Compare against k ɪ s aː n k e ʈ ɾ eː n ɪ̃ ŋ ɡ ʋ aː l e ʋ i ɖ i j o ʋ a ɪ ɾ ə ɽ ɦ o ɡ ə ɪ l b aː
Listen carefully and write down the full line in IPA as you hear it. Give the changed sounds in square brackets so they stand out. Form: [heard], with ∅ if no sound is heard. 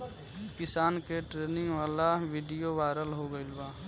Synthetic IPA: k ɪ s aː n k e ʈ ɾ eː n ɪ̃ ŋ ɡ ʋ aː l [a] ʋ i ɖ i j o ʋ a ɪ ɾ ə [l] ɦ o ɡ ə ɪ l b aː